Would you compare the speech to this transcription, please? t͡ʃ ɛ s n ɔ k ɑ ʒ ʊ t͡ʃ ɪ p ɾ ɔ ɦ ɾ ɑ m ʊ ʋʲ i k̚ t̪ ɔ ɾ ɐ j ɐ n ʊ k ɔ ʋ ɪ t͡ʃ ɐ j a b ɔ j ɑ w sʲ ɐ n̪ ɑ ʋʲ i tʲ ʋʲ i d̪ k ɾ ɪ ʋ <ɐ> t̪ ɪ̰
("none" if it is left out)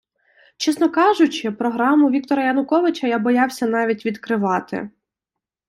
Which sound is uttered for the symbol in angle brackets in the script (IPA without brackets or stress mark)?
ɑ